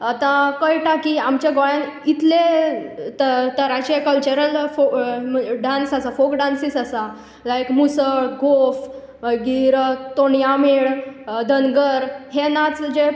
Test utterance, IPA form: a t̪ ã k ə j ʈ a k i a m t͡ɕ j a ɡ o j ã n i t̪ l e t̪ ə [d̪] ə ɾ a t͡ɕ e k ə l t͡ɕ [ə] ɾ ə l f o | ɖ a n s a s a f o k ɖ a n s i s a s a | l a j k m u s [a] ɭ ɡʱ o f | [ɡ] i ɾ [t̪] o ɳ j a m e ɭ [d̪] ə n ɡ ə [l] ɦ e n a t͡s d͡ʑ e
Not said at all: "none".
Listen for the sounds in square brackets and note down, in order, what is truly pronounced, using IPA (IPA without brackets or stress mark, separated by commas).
t̪, ə, ə, ɡ, t̪, d̪, ɾ